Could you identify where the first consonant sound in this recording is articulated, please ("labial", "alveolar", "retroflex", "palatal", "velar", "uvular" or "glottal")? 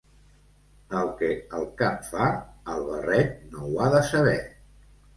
alveolar